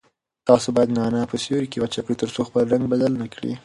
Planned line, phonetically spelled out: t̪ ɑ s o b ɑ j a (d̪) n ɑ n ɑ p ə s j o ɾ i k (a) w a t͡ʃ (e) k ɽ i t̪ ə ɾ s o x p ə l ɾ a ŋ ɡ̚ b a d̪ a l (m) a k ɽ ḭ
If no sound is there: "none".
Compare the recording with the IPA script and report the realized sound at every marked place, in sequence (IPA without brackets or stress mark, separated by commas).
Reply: d̪, e, a, n